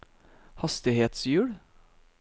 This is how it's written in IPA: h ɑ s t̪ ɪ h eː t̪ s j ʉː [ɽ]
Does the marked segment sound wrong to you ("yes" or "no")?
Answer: no